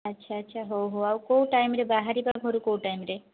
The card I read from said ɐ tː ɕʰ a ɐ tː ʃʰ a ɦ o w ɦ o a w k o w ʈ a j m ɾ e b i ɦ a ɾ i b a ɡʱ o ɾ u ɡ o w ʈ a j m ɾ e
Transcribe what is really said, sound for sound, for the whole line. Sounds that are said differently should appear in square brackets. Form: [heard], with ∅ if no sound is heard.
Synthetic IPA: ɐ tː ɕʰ a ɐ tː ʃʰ a ɦ o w ɦ o a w k o w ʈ a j m ɾ e b [a] ɦ a ɾ i b a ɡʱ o ɾ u [k] o w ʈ a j m ɾ e